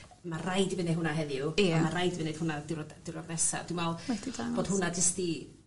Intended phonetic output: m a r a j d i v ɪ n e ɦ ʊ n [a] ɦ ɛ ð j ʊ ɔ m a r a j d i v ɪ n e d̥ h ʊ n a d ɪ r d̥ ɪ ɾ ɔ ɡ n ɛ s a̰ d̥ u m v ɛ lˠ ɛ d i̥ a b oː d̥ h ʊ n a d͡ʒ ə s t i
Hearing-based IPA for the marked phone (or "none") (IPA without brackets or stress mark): a